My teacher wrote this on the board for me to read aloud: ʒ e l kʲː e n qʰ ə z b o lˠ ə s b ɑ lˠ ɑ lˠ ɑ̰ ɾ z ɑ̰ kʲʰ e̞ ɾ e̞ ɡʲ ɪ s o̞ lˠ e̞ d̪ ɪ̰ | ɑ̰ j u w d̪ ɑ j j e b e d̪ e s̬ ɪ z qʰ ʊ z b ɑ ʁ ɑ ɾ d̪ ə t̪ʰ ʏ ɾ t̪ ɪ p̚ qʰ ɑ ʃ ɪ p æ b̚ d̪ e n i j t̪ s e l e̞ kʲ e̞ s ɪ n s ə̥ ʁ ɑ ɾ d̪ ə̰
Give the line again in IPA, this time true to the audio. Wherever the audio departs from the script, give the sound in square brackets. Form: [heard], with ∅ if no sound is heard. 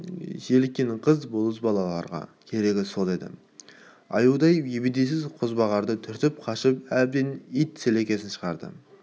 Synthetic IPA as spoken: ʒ e l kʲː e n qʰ ə z b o lˠ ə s b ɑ lˠ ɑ lˠ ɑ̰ ɾ [ʁ] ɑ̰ kʲʰ e̞ ɾ e̞ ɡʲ ɪ s o̞ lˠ e̞ d̪ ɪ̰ | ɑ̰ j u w d̪ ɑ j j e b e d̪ e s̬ ɪ z qʰ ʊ z b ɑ ʁ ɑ ɾ d̪ ə t̪ʰ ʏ ɾ t̪ ɪ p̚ qʰ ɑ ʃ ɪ p æ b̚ d̪ e n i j t̪ s e l e̞ kʲ e̞ s ɪ n [ʃ] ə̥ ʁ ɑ ɾ d̪ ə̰